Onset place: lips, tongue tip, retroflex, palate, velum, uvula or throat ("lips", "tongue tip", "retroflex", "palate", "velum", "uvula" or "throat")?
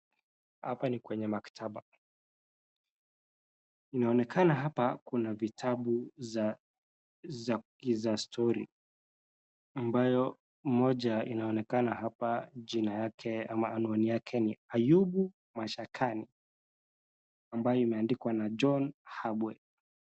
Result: throat